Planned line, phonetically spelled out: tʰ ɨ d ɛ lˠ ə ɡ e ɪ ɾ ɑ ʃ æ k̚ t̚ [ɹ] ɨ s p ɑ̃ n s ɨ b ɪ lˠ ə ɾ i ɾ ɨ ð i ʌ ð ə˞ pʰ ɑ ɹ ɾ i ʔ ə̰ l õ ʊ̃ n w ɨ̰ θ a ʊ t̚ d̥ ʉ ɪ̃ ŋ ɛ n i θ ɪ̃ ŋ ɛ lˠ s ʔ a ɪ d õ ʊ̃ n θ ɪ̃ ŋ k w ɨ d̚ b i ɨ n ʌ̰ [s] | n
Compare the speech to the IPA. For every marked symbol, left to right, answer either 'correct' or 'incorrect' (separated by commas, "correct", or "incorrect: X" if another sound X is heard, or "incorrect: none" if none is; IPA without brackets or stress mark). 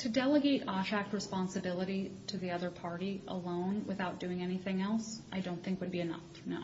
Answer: correct, incorrect: f